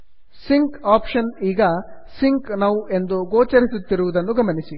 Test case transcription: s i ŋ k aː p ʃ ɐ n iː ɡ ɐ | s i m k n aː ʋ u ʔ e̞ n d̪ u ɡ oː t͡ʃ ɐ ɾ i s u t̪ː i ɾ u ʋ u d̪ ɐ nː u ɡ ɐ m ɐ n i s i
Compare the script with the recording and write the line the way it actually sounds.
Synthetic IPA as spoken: s i ŋ k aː p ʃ ɐ n iː ɡ ɐ | s i ŋ k n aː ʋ u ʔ e̞ n d̪ u ɡ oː t͡ʃ ɐ ɾ i s u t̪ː i ɾ u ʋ u d̪ ɐ nː u ɡ ɐ m ɐ n i s i